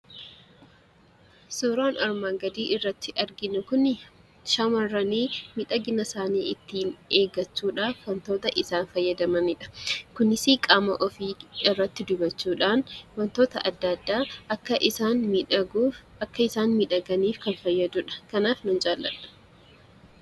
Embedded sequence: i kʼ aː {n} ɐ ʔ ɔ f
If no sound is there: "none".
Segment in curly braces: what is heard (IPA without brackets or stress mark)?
m